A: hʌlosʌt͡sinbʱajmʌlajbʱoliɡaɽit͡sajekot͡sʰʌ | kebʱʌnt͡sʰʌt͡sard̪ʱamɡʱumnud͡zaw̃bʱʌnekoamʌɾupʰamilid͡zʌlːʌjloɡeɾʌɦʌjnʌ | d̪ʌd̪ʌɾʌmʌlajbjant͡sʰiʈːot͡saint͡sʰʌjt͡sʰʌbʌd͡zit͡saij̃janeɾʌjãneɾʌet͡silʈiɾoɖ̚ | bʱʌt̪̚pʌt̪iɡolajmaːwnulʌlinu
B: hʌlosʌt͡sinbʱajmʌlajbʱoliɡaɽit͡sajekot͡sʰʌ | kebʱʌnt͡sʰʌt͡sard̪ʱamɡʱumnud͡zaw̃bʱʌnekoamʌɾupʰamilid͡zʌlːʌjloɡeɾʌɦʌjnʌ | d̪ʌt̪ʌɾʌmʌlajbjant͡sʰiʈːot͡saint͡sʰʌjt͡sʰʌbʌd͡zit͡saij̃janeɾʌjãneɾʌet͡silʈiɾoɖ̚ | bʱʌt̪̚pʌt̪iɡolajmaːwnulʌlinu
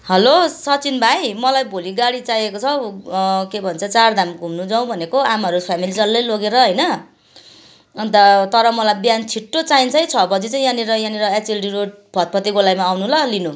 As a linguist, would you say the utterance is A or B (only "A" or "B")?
B